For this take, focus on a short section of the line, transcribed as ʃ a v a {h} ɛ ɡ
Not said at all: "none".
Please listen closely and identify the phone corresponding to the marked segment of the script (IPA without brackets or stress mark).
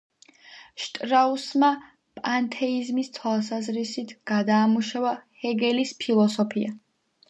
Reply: h